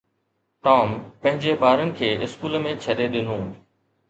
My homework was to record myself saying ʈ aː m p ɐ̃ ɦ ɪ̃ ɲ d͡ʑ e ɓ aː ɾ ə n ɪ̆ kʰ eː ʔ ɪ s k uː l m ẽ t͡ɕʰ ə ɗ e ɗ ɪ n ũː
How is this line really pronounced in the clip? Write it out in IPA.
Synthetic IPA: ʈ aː m p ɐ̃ ɦ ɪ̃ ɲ d͡ʑ e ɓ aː ɾ ə n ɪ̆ kʰ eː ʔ ɪ s k uː l m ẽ t͡ɕʰ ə ɗ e ɗ ɪ n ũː